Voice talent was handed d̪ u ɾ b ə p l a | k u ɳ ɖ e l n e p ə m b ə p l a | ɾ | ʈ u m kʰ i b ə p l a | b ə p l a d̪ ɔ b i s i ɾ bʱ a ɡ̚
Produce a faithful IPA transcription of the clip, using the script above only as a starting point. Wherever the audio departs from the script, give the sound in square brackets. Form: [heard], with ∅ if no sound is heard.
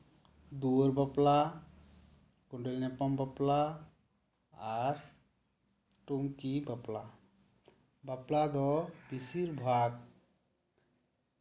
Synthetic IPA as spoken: d̪ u ɾ b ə p l a | k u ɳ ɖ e l n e p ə m b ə p l a | ɾ | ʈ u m [k] i b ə p l a | b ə p l a d̪ ɔ b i s i ɾ bʱ a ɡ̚

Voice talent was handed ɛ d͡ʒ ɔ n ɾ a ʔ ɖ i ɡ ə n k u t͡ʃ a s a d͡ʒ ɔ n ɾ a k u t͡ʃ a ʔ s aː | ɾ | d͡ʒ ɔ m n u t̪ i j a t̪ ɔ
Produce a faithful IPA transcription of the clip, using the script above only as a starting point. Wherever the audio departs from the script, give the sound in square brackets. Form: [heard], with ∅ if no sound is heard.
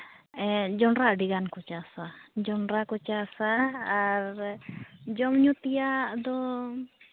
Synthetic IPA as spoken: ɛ d͡ʒ ɔ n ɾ a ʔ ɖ i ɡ [a] n k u t͡ʃ a s a d͡ʒ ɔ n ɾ a k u t͡ʃ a [∅] s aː | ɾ | d͡ʒ ɔ m [ɲ] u t̪ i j a [d̪] ɔ

